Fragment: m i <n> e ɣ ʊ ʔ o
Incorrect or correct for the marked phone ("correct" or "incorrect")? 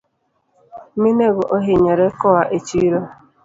correct